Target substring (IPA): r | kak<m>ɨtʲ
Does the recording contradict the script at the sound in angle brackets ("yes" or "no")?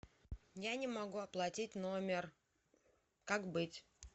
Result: yes